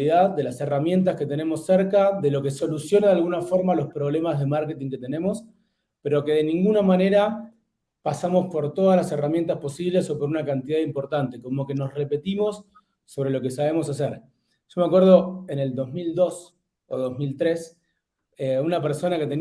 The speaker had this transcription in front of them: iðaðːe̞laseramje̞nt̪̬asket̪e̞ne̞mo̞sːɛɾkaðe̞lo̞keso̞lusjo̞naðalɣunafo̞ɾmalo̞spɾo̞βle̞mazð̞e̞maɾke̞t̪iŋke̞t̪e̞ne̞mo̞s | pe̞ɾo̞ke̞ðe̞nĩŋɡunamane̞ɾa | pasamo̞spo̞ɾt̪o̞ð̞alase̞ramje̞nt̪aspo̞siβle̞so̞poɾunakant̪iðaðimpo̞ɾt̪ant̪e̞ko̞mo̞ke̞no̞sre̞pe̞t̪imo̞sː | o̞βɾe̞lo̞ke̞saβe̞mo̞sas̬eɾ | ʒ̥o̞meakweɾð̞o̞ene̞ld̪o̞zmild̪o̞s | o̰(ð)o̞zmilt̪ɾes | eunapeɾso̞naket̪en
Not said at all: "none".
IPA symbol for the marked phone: ð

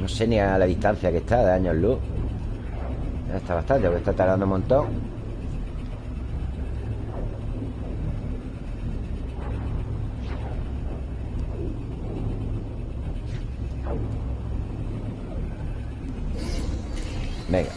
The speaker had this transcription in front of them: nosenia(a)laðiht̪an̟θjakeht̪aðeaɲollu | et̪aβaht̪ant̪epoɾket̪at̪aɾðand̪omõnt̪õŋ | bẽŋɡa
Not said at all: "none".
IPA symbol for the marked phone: a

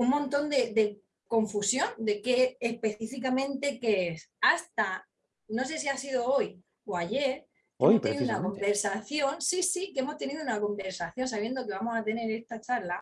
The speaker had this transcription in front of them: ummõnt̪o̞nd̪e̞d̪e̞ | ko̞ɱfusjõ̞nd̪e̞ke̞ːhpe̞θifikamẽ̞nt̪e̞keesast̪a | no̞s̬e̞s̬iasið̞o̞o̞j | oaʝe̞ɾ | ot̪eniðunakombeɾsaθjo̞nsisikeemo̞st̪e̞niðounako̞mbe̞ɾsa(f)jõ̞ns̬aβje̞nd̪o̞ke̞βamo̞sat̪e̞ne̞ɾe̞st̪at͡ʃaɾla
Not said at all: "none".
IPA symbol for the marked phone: θ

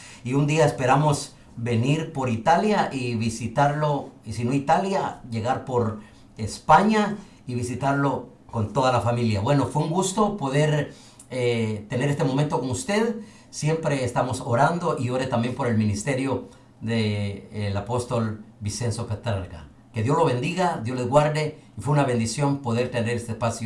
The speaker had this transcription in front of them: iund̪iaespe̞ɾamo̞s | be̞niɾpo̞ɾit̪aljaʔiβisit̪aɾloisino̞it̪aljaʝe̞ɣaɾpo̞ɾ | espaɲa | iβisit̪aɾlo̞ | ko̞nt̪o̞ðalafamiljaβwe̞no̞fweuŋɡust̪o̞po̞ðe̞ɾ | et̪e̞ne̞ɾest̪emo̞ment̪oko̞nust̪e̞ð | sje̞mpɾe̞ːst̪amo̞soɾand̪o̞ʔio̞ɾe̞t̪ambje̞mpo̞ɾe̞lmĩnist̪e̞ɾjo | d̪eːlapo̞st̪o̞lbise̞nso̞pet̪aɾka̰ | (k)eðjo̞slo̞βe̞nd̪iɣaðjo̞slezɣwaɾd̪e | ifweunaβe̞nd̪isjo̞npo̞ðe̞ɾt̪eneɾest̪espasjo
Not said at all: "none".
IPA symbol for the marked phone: k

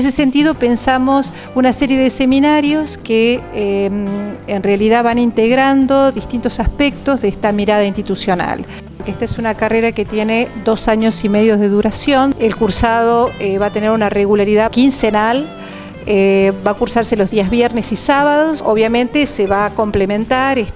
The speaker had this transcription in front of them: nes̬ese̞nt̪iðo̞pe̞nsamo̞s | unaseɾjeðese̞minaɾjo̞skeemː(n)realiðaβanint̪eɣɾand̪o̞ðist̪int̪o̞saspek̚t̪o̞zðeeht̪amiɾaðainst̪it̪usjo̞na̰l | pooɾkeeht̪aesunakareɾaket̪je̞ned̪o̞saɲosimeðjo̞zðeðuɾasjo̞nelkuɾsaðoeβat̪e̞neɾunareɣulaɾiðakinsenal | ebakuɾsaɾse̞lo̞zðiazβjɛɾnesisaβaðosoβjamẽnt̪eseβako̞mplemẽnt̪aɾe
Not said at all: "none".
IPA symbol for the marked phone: n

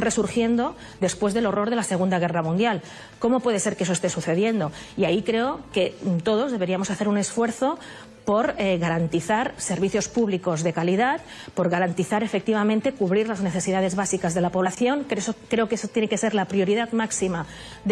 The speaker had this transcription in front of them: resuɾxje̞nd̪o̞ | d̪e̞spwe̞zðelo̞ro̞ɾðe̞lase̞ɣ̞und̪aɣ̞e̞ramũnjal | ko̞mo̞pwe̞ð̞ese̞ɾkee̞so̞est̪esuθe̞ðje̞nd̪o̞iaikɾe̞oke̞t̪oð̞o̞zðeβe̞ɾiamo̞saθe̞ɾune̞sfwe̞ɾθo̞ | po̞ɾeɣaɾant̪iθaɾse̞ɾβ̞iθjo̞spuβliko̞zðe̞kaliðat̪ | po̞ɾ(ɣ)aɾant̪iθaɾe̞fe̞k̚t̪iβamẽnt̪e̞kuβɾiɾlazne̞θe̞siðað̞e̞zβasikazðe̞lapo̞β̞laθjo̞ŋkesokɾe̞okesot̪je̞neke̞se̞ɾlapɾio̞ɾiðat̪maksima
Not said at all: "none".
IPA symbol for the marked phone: ɣ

